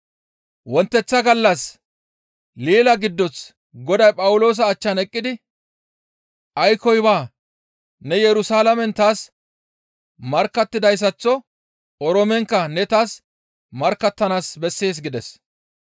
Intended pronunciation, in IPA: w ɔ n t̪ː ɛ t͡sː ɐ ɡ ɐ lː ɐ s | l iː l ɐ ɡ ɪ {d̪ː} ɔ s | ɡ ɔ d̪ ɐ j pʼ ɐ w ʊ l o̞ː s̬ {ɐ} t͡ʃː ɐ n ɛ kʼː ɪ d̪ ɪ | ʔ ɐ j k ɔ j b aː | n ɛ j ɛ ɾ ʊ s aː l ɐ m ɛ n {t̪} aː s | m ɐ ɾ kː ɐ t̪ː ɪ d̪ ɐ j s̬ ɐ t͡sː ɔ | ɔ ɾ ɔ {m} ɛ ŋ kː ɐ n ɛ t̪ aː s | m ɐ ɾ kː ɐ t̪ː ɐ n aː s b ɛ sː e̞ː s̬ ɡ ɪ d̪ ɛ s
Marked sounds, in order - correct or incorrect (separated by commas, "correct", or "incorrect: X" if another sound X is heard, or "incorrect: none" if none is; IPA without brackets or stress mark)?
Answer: correct, incorrect: ɐː, correct, correct